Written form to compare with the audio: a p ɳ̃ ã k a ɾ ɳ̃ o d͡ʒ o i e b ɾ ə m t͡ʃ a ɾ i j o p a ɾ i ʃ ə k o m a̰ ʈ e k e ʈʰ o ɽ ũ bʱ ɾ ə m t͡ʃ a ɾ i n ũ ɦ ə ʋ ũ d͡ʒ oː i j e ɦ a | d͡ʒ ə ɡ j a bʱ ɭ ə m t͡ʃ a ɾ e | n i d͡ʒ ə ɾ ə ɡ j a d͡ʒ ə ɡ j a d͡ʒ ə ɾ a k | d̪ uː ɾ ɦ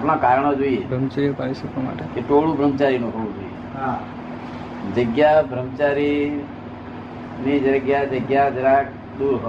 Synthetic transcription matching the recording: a p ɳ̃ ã k a ɾ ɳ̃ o d͡ʒ o i e b ɾ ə m t͡ʃ a ɾ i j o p a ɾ i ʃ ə k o m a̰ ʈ e k e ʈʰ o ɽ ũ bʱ ɾ ə m t͡ʃ a ɾ i n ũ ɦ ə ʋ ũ d͡ʒ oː i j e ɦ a | d͡ʒ ə ɡ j a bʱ ɾ ə m t͡ʃ a ɾ i | n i d͡ʒ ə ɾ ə ɡ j a d͡ʒ ə ɡ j a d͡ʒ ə ɾ a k | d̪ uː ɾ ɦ